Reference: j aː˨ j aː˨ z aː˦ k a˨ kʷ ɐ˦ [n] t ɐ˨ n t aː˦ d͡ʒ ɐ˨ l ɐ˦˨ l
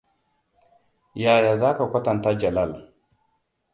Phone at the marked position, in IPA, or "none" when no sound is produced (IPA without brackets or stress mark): none